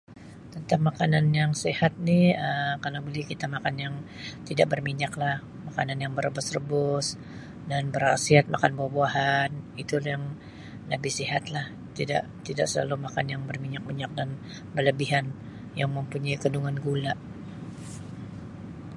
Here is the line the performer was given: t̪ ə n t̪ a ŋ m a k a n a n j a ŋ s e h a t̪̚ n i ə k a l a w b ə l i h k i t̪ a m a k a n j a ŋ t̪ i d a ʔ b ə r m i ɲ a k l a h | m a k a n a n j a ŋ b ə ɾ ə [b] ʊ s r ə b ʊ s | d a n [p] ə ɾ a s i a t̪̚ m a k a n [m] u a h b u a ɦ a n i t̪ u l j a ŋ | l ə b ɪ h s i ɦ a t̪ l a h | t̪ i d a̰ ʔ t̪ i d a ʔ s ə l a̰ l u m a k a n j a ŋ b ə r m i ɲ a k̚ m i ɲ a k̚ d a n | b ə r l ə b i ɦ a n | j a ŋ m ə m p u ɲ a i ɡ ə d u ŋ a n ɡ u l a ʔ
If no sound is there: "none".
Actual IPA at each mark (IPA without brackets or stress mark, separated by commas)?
b, b, b